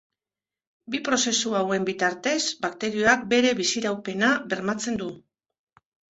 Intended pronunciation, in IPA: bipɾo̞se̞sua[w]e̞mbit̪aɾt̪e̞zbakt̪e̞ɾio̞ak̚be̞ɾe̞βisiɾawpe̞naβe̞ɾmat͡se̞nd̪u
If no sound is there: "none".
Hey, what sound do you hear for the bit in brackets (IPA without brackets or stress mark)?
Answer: w